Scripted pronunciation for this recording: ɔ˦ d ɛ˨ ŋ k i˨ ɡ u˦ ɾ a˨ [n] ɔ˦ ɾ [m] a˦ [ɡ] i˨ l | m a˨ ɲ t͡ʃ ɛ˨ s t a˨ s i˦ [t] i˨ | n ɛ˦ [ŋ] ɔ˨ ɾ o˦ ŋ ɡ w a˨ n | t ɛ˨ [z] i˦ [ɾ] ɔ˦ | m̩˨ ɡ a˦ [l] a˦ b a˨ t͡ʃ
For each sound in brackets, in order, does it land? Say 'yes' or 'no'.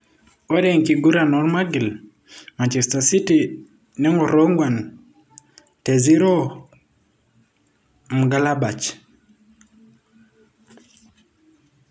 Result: yes, yes, yes, yes, yes, yes, yes, yes

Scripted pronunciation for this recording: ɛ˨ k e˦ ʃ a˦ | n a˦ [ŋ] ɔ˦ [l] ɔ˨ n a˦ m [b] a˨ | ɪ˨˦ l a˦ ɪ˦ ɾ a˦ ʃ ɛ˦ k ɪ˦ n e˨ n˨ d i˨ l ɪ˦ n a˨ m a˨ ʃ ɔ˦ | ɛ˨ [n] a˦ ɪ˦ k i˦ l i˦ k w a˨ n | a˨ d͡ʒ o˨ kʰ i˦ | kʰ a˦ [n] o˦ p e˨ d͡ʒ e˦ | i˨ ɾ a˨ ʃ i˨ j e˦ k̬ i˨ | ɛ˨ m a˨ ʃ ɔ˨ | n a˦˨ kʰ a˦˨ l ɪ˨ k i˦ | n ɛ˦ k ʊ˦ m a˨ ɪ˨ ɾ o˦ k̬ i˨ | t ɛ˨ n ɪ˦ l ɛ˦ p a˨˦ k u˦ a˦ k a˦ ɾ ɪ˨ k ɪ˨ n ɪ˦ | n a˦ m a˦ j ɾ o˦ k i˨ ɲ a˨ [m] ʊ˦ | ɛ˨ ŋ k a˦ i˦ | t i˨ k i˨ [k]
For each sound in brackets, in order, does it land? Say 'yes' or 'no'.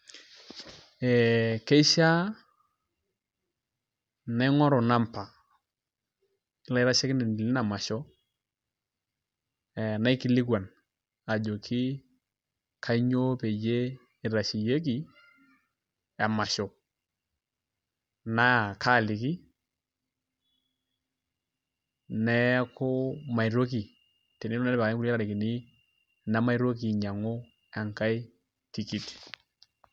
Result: yes, no, no, yes, no, no, no

